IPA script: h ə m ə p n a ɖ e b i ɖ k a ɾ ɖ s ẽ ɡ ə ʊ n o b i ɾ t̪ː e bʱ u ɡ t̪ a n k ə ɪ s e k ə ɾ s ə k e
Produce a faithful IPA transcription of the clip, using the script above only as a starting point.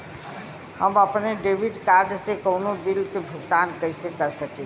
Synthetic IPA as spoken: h ə m ə p n e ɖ e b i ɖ k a ɾ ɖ s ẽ k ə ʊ n o b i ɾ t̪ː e bʱ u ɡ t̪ a n k ə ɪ s e k ə ɾ s ə k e